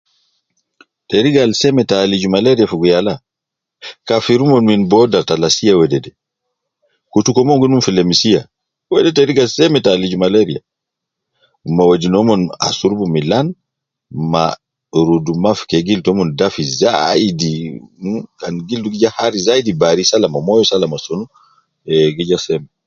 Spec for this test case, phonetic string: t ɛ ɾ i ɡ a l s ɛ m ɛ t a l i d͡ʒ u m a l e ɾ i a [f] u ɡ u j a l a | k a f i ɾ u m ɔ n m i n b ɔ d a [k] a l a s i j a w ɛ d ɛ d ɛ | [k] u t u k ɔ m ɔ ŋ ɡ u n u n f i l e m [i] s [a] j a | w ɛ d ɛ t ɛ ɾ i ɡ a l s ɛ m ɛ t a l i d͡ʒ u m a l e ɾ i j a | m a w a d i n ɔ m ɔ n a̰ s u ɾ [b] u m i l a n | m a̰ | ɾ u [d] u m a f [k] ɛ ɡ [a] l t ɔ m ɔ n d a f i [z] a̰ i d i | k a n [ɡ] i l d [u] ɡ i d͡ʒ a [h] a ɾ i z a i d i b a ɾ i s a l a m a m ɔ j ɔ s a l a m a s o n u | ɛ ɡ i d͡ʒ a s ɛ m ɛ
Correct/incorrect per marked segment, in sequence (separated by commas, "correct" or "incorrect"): correct, incorrect, correct, correct, incorrect, correct, correct, correct, incorrect, correct, correct, correct, correct